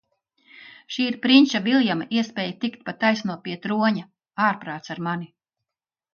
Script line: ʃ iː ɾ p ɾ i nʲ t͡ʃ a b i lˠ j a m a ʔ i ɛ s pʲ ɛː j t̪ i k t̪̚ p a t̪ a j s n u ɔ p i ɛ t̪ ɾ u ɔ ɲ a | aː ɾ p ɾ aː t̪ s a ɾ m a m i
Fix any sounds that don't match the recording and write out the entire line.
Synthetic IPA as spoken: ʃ iː ɾ p ɾ i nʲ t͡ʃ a v i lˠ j a m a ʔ i ɛ s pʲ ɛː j t̪ i k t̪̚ p a t̪ a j s n u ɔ p i ɛ t̪ ɾ u ɔ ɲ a | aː ɾ p ɾ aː t̪ s a ɾ m a n i

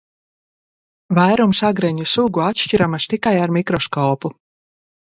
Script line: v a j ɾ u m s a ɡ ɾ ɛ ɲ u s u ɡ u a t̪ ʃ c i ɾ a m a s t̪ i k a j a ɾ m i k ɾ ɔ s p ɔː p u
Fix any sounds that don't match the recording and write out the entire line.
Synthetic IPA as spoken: v a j ɾ u m s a ɡ ɾ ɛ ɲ u s u ɡ u a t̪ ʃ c i ɾ a m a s t̪ i k a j a ɾ m i k ɾ ɔ s k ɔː p u

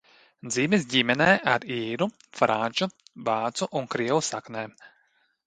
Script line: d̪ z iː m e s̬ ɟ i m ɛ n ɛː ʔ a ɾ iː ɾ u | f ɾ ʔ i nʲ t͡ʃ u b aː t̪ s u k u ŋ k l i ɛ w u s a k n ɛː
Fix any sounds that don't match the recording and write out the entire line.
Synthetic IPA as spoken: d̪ z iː m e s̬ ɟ i m ɛ n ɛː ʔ a ɾ iː ɾ u | f ɾ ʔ a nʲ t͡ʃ u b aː t̪ s u ʔ u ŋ k ɾ i ɛ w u s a k n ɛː

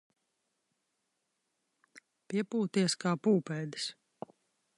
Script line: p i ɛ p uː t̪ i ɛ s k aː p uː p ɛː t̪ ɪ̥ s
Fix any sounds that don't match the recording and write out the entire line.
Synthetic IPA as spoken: p i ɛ p uː t̪ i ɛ s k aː p uː p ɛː d̪ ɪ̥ s

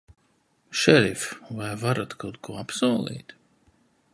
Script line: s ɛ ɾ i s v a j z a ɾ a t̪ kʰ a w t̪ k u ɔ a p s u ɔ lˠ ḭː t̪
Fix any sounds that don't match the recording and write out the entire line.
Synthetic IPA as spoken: ʃ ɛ ɾ i f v a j v a ɾ a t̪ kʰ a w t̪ k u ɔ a p s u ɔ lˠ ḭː t̪

